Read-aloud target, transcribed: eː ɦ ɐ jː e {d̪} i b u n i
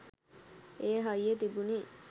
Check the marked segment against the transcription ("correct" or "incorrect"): incorrect